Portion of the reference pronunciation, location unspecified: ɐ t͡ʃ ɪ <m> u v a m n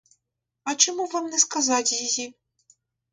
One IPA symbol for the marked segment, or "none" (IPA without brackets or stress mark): m